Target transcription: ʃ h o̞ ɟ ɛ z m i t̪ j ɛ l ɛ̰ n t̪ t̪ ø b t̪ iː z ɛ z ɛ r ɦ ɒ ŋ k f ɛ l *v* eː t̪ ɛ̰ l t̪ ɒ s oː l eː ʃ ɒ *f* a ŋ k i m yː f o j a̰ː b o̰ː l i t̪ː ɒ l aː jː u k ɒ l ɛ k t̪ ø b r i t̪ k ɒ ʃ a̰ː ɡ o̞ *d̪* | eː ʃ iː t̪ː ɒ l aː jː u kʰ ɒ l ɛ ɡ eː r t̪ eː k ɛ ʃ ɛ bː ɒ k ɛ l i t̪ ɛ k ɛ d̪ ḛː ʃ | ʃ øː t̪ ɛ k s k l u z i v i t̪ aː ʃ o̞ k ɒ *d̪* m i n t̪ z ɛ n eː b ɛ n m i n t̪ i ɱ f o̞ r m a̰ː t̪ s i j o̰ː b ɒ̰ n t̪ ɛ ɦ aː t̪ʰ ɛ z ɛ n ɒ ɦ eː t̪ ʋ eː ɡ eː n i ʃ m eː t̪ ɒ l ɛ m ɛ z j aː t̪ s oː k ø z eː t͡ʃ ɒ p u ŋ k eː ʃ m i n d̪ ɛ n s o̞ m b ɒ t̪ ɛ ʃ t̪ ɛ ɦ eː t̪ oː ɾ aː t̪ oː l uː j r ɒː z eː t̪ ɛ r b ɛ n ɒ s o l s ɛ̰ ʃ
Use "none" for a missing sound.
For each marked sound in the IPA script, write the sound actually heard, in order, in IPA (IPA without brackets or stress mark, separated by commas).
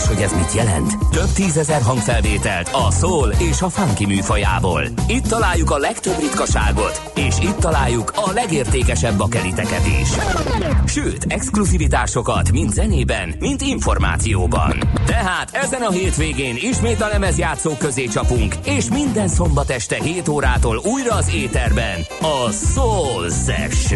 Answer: v, f, t̪, t̪